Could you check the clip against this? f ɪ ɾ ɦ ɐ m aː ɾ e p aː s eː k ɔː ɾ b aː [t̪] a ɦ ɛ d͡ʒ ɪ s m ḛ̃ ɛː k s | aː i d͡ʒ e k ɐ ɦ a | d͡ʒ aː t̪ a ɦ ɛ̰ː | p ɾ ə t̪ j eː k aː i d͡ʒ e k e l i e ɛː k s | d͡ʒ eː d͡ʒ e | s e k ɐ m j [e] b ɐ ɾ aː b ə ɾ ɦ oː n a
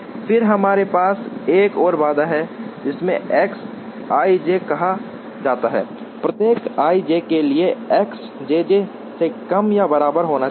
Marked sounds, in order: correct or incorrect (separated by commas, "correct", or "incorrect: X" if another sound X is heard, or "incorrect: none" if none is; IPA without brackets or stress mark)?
incorrect: d̪, incorrect: a